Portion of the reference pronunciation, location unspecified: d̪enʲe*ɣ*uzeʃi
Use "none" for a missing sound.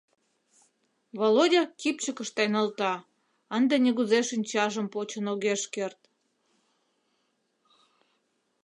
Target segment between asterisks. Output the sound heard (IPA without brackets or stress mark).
ɣ